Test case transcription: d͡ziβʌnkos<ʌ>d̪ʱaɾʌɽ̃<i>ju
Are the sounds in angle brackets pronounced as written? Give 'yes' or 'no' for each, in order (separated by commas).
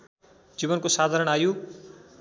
no, no